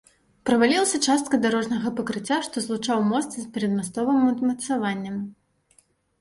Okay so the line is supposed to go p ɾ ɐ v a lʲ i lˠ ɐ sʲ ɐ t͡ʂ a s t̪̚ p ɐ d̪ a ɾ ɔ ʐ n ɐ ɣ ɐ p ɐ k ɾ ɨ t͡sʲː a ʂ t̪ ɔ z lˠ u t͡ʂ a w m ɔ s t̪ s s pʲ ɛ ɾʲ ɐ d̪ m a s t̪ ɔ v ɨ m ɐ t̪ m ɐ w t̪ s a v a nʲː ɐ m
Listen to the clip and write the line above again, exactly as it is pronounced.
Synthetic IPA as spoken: p ɾ ɐ v a lʲ i lˠ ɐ sʲ ɐ t͡ʂ a s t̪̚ k ɐ d̪ a ɾ ɔ ʐ n ɐ ɣ ɐ p ɐ k ɾ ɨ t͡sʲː a ʂ t̪ ɔ z lˠ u t͡ʂ a w m ɔ s t̪ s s pʲ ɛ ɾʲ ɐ d̪ m a s t̪ ɔ v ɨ m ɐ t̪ m ɐ t̪ s a v a nʲː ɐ m